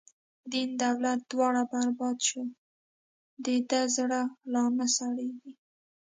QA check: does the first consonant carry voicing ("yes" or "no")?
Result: yes